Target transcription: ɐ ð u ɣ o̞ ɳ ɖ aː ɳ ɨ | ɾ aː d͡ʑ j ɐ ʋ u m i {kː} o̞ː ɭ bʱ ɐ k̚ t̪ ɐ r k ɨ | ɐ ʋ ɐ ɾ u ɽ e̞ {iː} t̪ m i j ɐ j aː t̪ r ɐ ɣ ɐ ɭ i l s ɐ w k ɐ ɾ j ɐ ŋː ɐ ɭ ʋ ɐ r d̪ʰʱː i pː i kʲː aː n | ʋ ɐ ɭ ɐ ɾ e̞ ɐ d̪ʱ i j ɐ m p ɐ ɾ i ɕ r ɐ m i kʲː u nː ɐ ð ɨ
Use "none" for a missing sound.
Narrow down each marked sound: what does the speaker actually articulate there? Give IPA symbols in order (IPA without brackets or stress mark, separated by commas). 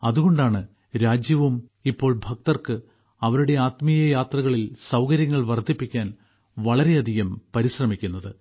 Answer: pː, aː